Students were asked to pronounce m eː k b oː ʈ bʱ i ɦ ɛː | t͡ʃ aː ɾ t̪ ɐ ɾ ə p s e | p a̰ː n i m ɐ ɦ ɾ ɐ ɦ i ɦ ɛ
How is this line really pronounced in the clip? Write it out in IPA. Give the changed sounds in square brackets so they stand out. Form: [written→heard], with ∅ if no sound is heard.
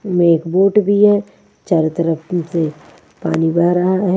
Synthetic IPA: m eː k b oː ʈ bʱ i ɦ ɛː | t͡ʃ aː ɾ t̪ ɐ ɾ ə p s e | p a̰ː n i [m→b] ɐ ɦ ɾ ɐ ɦ [i→a] ɦ ɛ